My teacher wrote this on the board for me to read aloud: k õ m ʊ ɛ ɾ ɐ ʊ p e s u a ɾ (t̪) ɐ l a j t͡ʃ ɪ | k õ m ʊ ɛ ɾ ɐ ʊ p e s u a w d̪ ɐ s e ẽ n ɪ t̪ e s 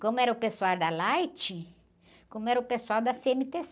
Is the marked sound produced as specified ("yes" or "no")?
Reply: no